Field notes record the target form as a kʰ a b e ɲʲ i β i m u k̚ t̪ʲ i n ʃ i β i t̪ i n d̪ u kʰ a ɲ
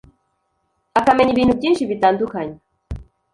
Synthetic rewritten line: a k a m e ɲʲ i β i n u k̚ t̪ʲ i n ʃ i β i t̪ a n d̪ u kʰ a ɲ